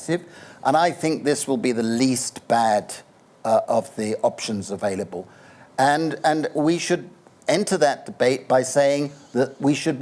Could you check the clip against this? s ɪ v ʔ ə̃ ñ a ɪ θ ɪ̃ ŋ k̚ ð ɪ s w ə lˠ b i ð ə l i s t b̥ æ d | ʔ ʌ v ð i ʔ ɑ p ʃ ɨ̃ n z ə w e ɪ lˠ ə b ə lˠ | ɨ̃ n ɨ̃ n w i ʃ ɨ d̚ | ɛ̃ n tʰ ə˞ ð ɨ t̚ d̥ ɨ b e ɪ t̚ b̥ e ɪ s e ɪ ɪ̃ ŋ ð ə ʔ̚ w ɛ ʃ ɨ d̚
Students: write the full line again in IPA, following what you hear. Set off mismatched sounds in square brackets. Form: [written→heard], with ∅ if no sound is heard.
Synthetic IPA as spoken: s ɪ v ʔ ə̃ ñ a ɪ θ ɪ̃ ŋ k̚ ð ɪ s w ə lˠ b i ð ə l i s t b̥ æ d | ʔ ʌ v ð i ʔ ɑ p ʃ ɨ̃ n z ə [w→v] e ɪ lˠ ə b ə lˠ | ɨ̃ n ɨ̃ n w i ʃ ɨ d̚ | ɛ̃ n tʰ ə˞ ð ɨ t̚ d̥ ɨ b e ɪ t̚ b̥ [e→a] ɪ s e ɪ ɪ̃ ŋ ð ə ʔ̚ w [ɛ→i] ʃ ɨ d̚